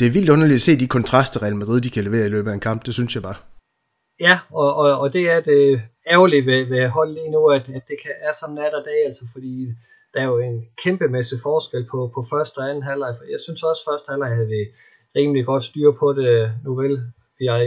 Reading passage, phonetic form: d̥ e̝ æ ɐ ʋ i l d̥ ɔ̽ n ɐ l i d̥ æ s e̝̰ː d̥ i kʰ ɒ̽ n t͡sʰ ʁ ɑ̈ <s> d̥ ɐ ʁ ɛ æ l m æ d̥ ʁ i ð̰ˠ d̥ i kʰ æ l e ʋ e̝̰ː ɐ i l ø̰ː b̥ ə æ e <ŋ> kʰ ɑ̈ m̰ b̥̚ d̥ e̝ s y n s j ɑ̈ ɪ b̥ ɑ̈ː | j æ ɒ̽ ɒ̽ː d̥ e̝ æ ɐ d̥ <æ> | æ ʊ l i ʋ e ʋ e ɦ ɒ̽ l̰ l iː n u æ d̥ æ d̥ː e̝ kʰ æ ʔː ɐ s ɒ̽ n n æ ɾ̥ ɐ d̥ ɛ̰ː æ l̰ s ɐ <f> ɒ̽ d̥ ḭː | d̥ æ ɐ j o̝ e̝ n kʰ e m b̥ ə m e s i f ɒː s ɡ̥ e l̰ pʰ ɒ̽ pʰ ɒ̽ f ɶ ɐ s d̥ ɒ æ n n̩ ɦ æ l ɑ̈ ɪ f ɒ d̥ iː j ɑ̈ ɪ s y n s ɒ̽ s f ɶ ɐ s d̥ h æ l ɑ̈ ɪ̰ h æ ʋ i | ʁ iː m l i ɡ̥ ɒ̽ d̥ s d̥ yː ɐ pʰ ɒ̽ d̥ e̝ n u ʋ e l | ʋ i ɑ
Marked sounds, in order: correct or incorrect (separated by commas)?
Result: correct, incorrect, incorrect, correct